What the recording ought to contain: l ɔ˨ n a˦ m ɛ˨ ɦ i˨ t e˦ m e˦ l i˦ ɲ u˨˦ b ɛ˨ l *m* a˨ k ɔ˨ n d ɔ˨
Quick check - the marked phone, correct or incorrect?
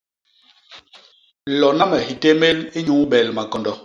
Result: correct